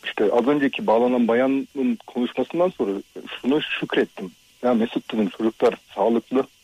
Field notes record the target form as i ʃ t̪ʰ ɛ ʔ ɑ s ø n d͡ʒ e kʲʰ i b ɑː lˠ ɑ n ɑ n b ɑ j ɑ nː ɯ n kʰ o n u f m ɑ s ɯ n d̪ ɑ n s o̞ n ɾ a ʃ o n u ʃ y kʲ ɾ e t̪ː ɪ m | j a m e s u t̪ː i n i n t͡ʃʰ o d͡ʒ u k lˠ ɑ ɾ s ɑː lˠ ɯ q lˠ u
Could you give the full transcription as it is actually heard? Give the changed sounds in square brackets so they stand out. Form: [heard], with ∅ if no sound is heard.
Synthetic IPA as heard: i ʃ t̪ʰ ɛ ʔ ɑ [z] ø n d͡ʒ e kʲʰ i b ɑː lˠ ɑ n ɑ n b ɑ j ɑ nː ɯ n kʰ o n u [ʃ] m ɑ s ɯ n d̪ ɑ n s o̞ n ɾ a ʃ [u] n u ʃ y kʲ ɾ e t̪ː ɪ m | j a m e s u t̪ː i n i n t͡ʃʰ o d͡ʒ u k lˠ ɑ ɾ s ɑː lˠ ɯ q lˠ [ɯ]